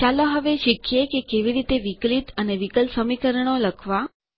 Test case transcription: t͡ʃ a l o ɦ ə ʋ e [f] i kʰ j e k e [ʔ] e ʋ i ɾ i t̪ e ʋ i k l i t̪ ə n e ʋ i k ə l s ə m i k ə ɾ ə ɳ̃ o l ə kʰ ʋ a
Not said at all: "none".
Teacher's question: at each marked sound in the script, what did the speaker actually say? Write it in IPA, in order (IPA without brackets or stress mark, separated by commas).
ʃ, k